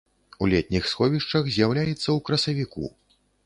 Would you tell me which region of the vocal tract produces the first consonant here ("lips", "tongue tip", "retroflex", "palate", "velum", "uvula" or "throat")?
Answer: tongue tip